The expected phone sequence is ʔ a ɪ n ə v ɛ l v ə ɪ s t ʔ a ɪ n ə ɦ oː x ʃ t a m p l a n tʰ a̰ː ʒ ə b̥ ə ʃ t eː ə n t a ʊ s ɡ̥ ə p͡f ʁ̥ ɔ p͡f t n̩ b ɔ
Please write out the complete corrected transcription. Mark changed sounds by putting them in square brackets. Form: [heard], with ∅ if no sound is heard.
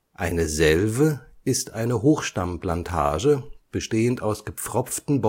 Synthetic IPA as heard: ʔ a ɪ n ə [z] ɛ l v ə ɪ s t ʔ a ɪ n ə ɦ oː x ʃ t a m p l a n tʰ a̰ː ʒ ə b̥ ə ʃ t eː ə n t a ʊ s ɡ̥ ə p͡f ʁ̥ ɔ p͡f t n̩ b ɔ